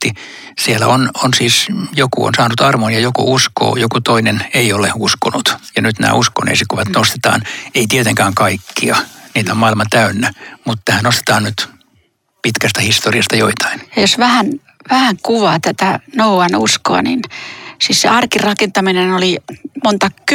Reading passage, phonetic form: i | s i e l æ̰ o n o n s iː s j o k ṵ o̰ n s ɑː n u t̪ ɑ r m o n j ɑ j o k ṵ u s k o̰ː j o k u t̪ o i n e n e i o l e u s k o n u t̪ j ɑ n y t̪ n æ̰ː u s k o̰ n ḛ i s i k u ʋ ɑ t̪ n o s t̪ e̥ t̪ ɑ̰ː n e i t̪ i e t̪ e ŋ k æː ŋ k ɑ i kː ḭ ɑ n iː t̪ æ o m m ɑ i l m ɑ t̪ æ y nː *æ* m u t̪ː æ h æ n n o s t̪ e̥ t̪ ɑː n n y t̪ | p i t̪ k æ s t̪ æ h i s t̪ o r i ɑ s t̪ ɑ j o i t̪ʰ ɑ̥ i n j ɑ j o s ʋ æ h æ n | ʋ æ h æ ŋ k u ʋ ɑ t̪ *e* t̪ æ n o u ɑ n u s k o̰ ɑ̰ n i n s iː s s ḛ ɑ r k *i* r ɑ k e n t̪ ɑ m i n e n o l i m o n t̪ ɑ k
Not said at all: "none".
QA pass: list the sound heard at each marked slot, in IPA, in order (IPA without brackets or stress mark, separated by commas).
æ, æ, i